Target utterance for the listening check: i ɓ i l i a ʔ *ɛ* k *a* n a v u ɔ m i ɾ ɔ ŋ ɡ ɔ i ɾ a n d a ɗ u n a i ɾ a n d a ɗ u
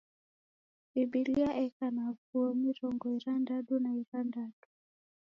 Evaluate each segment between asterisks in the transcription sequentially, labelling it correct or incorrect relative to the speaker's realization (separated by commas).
correct, correct